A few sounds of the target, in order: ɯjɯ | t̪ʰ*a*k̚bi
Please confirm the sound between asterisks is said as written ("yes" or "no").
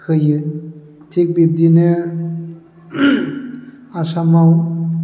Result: no